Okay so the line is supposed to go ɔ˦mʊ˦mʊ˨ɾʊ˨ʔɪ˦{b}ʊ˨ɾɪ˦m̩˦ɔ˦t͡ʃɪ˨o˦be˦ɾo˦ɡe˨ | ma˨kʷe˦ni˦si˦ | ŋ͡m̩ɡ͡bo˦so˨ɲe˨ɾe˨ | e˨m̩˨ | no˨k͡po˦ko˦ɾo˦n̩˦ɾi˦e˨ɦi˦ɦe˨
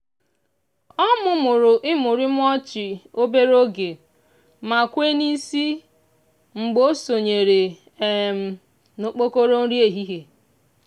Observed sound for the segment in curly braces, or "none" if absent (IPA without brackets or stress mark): m